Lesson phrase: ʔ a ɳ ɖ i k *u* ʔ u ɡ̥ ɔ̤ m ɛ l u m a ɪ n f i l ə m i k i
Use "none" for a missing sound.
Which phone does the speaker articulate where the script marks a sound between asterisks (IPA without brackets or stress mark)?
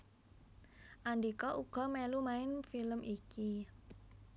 ɔ